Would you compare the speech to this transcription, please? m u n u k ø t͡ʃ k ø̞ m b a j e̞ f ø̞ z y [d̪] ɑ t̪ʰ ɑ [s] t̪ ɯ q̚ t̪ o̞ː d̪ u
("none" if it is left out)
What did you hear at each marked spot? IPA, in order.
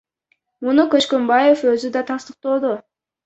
d̪, s

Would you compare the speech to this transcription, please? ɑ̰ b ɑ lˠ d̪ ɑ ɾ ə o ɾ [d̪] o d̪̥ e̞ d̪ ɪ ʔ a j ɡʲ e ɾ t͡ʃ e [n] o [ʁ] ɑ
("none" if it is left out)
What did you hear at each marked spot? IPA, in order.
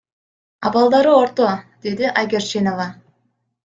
t̪, n, v

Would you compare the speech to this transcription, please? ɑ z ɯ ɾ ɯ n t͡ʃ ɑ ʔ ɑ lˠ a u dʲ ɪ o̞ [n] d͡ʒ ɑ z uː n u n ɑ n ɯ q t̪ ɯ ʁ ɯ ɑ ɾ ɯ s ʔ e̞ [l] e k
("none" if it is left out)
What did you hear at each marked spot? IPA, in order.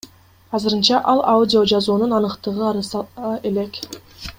none, l

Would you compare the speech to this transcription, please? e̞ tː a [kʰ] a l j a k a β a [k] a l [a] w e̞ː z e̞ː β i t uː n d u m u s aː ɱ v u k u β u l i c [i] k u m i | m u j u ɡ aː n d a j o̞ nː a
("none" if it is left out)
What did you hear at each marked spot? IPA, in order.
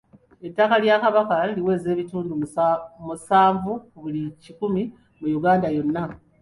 k, k, i, i

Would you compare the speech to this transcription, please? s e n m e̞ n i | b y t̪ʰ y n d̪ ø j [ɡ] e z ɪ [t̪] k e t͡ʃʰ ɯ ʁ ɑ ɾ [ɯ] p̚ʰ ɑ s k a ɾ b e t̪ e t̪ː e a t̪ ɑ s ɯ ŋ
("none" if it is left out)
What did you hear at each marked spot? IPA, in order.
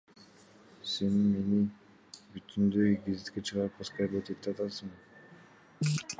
ɡ, t̪, ɯ

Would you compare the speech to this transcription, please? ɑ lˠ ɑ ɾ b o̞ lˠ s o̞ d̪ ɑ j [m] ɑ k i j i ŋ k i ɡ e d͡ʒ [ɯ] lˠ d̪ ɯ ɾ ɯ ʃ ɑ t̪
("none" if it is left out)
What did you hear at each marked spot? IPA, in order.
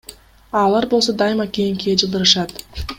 m, ɯ

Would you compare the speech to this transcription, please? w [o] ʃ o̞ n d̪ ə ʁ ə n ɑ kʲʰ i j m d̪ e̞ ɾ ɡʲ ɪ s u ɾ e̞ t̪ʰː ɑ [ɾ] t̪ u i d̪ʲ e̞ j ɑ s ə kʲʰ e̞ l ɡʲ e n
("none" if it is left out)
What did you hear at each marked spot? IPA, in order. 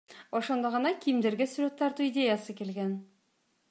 o, ɾ

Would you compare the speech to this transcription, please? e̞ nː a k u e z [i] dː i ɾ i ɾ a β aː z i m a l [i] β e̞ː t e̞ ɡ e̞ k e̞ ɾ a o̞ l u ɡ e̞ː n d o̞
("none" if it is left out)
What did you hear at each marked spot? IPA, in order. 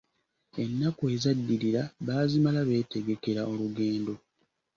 a, a

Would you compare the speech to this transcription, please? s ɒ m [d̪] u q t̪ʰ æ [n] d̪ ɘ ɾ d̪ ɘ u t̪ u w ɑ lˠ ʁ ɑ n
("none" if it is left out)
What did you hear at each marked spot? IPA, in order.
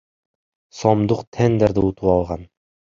d̪, n

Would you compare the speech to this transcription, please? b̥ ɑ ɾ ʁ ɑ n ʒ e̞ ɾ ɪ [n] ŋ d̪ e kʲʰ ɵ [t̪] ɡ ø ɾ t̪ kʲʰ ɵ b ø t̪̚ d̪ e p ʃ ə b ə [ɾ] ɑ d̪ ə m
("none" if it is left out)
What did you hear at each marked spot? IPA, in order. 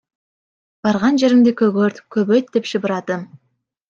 none, none, ɾ

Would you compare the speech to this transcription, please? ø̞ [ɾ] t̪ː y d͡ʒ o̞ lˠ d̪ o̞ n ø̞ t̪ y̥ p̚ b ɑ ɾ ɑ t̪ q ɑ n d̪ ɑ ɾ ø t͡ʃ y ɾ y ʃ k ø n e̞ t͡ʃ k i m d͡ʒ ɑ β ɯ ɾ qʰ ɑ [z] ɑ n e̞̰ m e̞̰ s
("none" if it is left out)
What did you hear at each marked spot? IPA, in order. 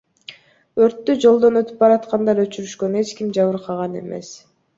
ɾ, ʁ

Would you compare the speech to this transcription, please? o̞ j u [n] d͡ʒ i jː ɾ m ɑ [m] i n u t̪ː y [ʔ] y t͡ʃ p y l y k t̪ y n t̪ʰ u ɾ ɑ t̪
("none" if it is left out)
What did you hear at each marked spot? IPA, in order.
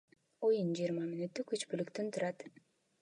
n, m, k

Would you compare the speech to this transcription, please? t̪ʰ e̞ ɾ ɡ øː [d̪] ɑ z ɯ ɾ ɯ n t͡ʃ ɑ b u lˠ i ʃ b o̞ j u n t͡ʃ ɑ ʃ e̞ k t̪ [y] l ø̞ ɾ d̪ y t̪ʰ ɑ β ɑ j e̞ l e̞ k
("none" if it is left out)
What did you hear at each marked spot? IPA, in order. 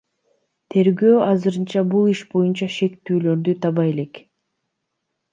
none, yː

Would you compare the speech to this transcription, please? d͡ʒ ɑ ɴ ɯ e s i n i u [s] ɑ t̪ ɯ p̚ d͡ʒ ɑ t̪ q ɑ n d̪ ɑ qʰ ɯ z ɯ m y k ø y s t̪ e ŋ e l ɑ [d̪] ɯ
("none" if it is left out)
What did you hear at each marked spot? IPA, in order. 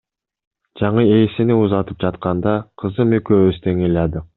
z, d̪

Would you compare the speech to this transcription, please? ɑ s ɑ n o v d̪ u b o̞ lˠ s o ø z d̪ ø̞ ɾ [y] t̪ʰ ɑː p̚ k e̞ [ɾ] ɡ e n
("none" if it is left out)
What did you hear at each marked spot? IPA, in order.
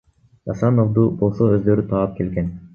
y, l

